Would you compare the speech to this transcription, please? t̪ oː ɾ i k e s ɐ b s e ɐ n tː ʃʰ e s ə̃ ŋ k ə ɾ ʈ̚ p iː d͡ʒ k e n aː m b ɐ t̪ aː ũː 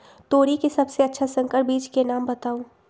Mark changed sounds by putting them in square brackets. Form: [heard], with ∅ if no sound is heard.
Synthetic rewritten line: t̪ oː ɾ i k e s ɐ b s e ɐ [∅] tː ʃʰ [a] s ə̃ ŋ k ə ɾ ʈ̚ [b] iː d͡ʒ k e n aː m b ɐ t̪ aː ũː